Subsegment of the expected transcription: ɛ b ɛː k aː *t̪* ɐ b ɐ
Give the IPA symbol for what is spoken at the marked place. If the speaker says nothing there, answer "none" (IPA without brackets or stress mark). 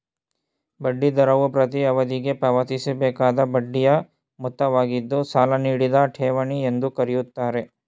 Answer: d̪